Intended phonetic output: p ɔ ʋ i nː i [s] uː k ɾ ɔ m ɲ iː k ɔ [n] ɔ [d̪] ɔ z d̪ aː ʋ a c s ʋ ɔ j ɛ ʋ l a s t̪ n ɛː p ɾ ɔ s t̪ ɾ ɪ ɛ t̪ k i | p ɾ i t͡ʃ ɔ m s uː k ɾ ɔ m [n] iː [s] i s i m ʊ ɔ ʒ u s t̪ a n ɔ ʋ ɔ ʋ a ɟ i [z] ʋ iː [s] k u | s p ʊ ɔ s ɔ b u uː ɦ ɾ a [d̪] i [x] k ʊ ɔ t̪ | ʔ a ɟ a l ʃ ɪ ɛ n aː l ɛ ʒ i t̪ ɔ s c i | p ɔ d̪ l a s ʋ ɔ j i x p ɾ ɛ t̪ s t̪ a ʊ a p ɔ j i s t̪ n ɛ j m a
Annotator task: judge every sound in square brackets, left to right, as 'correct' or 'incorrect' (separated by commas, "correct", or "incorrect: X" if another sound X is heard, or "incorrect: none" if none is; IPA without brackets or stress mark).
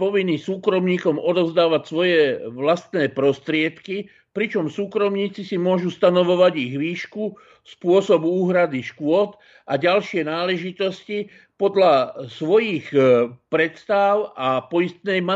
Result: correct, incorrect: m, correct, incorrect: ɲ, incorrect: t͡s, incorrect: ɣ, incorrect: ʃ, correct, incorrect: ʃ